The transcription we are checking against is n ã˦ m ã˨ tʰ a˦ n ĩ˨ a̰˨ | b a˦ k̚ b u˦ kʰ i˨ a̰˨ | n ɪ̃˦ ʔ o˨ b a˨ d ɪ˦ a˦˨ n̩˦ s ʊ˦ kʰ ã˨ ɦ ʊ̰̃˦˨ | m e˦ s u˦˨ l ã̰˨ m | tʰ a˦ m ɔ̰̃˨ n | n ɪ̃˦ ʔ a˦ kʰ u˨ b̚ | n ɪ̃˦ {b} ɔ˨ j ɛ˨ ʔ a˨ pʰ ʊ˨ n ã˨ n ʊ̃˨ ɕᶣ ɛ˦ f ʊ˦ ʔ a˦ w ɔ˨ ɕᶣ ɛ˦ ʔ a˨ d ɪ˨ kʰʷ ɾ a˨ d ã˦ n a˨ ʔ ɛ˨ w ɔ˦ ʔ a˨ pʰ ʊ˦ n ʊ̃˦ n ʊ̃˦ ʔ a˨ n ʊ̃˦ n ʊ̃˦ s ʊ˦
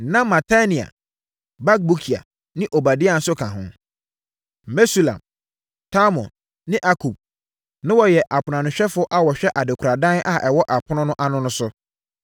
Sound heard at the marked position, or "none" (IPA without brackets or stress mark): w